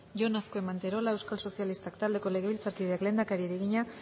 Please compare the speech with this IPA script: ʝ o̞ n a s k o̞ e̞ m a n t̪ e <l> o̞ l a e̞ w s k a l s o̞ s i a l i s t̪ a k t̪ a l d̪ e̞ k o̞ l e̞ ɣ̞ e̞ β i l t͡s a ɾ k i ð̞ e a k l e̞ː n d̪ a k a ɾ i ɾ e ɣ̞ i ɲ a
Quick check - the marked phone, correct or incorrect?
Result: incorrect